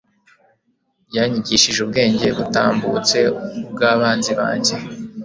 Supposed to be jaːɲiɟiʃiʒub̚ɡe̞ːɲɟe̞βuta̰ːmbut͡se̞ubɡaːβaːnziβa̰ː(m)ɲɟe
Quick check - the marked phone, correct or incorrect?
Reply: incorrect